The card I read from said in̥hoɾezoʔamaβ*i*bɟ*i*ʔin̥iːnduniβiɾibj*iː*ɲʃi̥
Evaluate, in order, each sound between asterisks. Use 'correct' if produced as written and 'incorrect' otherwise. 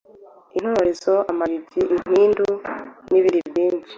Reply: correct, correct, correct

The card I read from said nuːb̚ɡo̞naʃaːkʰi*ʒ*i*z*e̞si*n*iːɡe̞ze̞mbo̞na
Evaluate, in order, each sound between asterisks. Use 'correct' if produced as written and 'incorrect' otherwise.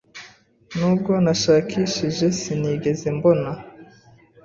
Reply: incorrect, incorrect, correct

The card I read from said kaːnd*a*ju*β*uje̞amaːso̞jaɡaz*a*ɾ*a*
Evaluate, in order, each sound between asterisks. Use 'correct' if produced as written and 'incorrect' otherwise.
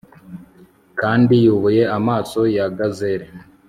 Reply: incorrect, correct, incorrect, incorrect

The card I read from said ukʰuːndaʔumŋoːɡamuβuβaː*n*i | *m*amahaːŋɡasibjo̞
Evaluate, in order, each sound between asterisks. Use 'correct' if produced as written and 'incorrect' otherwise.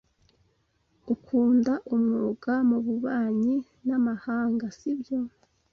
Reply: incorrect, incorrect

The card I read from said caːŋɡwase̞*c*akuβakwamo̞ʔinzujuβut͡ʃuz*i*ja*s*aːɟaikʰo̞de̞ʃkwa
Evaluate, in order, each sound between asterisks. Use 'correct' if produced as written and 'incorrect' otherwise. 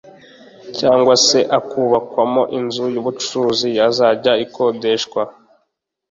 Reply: incorrect, correct, incorrect

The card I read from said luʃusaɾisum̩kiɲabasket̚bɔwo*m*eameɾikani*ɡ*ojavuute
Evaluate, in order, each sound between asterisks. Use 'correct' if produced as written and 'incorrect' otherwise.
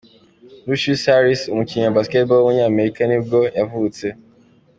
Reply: incorrect, correct

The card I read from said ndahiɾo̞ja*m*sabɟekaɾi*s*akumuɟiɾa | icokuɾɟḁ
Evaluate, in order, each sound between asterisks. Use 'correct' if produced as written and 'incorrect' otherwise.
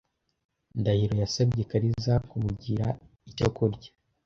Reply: incorrect, incorrect

